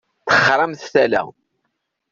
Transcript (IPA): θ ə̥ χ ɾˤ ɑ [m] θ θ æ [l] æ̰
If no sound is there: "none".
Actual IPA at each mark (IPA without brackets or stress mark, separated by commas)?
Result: m, l